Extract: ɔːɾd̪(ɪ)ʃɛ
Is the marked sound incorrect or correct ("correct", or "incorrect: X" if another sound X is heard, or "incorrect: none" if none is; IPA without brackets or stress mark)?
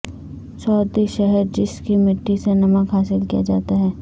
incorrect: i